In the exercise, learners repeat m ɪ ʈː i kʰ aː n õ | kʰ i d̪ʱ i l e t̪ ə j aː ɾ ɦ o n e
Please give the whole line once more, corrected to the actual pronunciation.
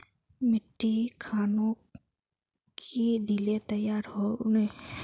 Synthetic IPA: m ɪ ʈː i kʰ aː n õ | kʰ i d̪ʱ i l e t̪ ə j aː ɾ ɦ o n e